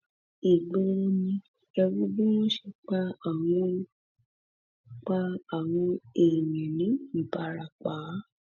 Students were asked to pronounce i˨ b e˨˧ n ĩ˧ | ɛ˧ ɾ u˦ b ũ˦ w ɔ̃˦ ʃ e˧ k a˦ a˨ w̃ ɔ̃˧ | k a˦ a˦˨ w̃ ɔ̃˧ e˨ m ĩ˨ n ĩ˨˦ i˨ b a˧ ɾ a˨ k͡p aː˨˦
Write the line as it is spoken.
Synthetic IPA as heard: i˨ ɡ͡b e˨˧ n ĩ˧ | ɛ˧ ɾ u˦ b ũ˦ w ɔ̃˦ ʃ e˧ k͡p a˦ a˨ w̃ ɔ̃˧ | k͡p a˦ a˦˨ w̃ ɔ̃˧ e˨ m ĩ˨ n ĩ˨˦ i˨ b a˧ ɾ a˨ k͡p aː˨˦